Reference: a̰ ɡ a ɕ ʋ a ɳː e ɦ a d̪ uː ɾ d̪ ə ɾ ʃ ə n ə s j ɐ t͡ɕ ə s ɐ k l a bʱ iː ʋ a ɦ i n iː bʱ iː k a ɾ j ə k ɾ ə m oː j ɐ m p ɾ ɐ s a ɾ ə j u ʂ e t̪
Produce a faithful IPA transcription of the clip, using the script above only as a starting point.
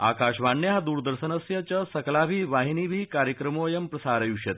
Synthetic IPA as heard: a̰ k a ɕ ʋ a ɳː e ɦ a d̪ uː ɾ d̪ ə ɾ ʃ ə n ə s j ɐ t͡ɕ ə s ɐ k l a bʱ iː ʋ a ɦ i n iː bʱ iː k a ɾ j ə k ɾ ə m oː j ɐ m p ɾ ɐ s a ɾ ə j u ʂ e t̪